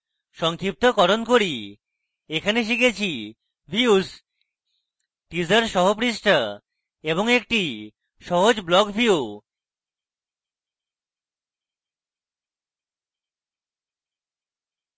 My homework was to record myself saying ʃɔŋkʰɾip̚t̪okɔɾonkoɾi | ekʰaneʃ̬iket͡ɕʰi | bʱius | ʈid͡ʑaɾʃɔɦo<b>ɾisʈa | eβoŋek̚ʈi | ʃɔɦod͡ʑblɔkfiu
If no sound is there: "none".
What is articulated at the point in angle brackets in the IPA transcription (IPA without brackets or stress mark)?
p